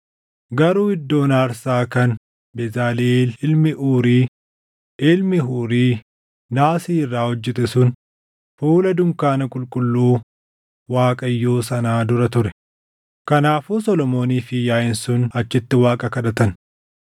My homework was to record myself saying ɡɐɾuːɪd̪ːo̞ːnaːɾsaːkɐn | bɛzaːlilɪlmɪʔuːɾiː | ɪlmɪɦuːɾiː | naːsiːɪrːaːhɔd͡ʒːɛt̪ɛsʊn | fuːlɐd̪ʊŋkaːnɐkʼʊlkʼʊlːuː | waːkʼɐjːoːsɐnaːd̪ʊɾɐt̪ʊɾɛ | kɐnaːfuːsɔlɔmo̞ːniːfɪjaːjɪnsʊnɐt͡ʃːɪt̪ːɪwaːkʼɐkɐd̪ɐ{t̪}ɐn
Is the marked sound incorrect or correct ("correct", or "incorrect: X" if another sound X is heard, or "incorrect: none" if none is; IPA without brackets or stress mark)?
correct